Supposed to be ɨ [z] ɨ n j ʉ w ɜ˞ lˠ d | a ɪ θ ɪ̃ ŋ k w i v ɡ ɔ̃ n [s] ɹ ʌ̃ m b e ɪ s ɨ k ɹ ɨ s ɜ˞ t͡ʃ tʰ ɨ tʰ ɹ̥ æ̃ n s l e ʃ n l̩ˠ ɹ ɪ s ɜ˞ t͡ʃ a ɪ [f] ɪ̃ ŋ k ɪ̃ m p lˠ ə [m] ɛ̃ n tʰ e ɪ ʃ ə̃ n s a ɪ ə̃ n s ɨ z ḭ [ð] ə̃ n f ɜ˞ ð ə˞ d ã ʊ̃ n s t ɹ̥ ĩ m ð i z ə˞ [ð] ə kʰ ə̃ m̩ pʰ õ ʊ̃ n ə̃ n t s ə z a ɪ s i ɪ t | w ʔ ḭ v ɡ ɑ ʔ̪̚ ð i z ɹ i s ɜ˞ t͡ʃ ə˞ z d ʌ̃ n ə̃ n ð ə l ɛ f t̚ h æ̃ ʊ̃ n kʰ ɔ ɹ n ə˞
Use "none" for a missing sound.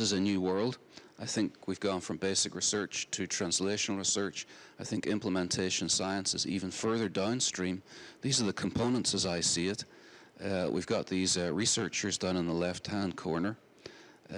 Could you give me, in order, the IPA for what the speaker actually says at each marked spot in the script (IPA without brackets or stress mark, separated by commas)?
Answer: z, f, θ, m, v, ð